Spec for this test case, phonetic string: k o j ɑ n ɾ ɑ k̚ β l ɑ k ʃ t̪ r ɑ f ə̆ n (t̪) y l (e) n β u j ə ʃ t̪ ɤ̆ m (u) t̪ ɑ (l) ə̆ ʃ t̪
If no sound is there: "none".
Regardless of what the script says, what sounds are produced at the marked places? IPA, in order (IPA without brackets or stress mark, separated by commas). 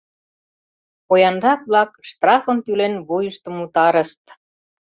t̪, e, u, ɾ